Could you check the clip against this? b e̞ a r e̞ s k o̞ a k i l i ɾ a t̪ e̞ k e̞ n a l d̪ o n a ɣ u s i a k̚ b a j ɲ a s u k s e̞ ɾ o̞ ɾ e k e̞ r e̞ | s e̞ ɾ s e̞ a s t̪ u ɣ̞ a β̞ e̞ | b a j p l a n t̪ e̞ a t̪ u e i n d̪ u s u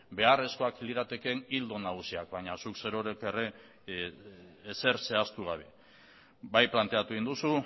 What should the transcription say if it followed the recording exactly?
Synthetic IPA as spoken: b e̞ a r e̞ s k o̞ a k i l i ɾ a t̪ e̞ k e̞ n i l d̪ o n a ɣ u s i a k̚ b a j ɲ a s u k s e̞ ɾ o̞ ɾ e k e̞ r e̞ | s e̞ ɾ s e̞ a s t̪ u ɣ̞ a β̞ e̞ | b a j p l a n t̪ e̞ a t̪ u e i n d̪ u s u

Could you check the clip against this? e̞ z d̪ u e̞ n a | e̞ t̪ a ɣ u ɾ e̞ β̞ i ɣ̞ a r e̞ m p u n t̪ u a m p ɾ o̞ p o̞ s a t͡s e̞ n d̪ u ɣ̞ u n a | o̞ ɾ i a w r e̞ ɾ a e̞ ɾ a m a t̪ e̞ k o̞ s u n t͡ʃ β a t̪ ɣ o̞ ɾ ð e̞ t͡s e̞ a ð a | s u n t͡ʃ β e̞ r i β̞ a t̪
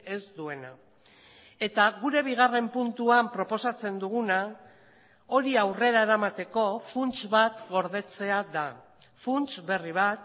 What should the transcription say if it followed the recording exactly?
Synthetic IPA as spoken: e̞ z d̪ u e̞ n a | e̞ t̪ a ɣ u ɾ e̞ β̞ i ɣ̞ a r e̞ m p u n t̪ u a m p ɾ o̞ p o̞ s a t͡s e̞ n d̪ u ɣ̞ u n a | o̞ ɾ i a w r e̞ ɾ a e̞ ɾ a m a t̪ e̞ k o̞ f u n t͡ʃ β a t̪ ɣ o̞ ɾ ð e̞ t͡s e̞ a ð a | f u n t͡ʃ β e̞ r i β̞ a t̪

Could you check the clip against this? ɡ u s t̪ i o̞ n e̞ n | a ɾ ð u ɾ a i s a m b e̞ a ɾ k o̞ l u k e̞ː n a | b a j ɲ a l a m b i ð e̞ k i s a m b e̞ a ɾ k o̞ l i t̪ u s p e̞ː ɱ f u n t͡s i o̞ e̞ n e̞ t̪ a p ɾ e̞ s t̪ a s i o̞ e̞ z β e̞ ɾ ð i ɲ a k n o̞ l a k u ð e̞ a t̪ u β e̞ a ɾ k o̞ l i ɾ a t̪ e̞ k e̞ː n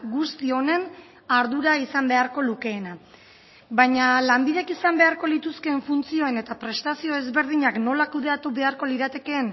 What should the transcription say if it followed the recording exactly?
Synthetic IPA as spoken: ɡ u s t̪ i o̞ n e̞ n | a ɾ ð u ɾ a i s a m b e̞ a ɾ k o̞ l u k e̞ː n a | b a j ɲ a l a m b i ð e̞ k i s a m b e̞ a ɾ k o̞ l i t̪ u s k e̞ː ɱ f u n t͡s i o̞ e̞ n e̞ t̪ a p ɾ e̞ s t̪ a s i o̞ e̞ z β e̞ ɾ ð i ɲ a k n o̞ l a k u ð e̞ a t̪ u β e̞ a ɾ k o̞ l i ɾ a t̪ e̞ k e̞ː n

